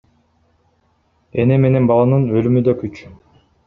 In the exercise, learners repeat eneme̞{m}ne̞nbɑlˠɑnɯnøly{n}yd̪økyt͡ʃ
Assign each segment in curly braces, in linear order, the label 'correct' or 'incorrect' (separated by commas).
incorrect, incorrect